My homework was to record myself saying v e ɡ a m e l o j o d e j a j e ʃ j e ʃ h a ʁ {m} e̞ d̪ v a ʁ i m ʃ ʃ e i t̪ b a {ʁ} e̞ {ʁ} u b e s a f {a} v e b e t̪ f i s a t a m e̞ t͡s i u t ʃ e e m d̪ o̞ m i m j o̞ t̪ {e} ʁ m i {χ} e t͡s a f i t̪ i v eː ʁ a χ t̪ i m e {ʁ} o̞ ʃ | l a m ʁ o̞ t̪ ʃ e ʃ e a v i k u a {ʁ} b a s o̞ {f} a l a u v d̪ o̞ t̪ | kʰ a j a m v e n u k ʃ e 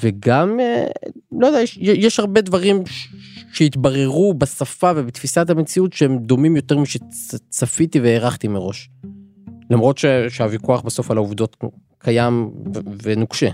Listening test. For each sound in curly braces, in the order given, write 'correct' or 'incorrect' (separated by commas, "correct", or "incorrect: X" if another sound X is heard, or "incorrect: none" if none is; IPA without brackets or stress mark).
incorrect: b, correct, correct, correct, correct, incorrect: ʃ, correct, incorrect: χ, correct